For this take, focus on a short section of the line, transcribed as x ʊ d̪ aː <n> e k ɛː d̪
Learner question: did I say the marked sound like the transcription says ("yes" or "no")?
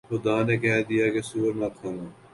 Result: yes